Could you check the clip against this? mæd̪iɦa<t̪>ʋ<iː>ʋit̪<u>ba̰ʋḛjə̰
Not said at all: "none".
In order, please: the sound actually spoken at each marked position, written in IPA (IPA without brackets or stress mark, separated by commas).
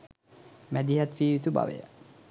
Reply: t̪, iː, u